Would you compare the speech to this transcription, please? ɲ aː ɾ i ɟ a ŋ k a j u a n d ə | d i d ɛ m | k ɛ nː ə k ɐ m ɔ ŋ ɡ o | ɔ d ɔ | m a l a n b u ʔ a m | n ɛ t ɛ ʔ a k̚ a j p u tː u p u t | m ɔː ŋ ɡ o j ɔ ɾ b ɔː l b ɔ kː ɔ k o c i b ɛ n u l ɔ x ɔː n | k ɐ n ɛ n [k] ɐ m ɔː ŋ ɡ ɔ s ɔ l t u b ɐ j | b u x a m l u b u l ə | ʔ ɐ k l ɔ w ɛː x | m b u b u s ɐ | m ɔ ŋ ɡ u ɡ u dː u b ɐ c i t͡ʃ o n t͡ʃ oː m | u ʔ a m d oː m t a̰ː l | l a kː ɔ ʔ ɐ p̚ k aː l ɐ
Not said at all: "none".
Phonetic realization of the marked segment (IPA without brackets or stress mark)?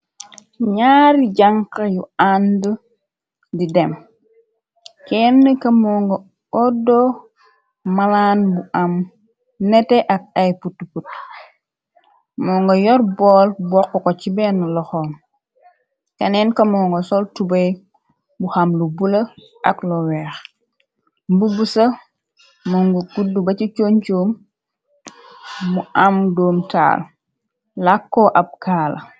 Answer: k